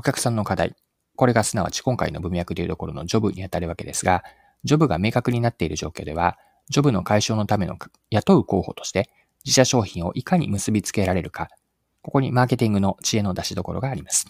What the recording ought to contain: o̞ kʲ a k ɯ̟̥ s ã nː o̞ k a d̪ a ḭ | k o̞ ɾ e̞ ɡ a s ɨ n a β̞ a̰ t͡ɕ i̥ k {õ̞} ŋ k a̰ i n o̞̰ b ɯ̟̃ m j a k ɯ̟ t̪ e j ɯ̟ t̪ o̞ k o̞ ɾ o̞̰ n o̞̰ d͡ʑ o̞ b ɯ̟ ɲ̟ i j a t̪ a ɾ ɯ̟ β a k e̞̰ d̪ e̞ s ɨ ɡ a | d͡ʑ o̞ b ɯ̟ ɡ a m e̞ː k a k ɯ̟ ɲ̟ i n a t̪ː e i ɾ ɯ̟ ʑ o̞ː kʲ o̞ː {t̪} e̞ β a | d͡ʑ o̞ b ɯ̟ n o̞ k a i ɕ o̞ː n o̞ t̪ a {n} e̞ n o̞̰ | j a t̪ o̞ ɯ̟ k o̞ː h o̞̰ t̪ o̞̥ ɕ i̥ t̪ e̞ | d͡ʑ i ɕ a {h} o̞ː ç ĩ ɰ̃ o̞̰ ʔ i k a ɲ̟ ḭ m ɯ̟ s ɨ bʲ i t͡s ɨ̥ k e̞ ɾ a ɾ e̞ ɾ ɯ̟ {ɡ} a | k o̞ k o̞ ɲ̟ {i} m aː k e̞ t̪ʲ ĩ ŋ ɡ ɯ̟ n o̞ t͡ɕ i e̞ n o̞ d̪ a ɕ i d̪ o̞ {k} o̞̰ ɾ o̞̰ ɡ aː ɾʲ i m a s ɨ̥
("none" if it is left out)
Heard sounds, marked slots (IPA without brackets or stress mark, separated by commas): õ̞, d̪, m, ɕ, k, i, k